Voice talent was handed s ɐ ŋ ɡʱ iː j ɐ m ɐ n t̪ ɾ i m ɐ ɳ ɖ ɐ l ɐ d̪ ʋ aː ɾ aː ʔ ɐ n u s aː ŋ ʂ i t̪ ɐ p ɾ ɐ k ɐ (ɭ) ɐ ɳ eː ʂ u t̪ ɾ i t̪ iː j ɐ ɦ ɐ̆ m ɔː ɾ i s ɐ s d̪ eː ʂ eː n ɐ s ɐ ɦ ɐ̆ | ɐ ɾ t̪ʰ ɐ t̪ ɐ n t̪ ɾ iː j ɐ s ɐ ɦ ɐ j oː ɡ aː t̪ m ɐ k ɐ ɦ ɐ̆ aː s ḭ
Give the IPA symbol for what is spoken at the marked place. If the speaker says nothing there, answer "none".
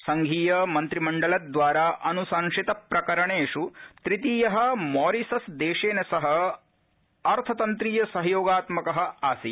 ɾ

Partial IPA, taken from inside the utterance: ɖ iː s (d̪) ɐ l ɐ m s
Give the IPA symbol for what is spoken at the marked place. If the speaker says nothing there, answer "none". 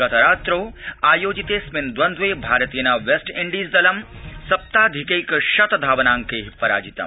d̪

